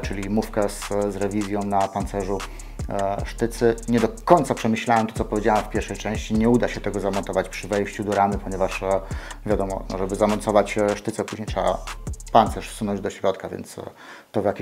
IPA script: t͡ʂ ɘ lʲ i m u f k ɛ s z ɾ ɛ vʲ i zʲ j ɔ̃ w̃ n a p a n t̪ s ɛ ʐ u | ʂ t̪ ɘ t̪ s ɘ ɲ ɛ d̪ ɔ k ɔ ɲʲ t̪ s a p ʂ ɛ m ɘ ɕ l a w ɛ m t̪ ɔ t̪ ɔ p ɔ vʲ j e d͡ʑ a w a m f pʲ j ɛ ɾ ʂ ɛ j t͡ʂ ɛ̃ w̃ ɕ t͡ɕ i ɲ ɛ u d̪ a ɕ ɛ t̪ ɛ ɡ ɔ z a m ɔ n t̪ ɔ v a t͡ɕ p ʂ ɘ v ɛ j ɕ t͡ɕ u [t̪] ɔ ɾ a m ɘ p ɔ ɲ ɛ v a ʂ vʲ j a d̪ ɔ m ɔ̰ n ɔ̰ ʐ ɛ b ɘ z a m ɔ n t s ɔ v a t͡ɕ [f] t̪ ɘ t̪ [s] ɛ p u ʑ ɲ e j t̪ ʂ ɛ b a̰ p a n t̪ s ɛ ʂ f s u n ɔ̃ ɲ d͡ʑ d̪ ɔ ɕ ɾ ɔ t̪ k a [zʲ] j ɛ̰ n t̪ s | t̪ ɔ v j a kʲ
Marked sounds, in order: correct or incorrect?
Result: incorrect, incorrect, correct, incorrect

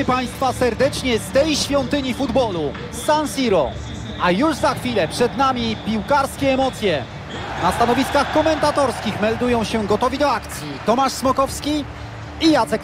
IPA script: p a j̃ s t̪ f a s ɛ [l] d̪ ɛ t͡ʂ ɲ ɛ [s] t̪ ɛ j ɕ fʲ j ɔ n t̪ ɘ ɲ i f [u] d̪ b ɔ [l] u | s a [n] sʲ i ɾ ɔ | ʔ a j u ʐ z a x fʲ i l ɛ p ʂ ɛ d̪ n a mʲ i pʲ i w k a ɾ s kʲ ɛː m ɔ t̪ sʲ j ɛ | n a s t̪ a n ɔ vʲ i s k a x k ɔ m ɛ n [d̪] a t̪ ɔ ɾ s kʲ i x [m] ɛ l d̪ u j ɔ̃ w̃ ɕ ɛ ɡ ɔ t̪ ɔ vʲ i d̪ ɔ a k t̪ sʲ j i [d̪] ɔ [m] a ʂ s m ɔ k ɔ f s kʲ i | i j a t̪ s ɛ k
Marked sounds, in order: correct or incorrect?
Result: incorrect, correct, correct, correct, correct, incorrect, correct, incorrect, correct

